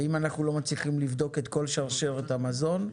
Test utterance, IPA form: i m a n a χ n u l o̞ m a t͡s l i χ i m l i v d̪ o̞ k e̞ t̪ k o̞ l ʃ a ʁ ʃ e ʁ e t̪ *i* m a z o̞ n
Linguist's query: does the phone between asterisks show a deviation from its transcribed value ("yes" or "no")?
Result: yes